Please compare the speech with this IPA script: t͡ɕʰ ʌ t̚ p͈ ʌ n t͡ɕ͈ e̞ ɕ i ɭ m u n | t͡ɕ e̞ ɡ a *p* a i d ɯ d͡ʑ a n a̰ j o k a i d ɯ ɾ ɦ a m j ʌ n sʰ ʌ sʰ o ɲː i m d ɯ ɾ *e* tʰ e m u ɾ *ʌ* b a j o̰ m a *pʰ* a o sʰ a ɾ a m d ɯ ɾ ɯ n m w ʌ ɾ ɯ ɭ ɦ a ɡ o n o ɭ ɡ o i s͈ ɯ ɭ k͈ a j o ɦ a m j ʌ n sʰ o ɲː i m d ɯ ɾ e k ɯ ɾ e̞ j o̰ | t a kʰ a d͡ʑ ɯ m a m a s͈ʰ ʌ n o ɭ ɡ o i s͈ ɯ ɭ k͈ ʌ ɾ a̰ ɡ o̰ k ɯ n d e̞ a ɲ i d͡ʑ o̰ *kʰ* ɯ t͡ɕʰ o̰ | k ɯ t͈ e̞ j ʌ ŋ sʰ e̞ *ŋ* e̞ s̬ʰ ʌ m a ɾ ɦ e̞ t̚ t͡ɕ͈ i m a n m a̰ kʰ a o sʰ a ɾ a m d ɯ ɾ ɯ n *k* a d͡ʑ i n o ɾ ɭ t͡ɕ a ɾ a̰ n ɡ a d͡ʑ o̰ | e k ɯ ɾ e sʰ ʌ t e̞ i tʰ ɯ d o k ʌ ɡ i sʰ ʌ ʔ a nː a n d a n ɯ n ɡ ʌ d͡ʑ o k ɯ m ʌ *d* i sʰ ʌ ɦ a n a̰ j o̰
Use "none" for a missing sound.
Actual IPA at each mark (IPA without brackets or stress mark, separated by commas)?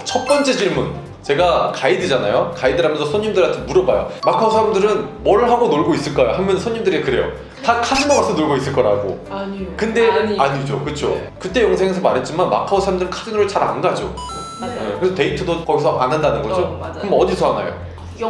k, a, ʌ, kʰ, k, ŋ, kʰ, d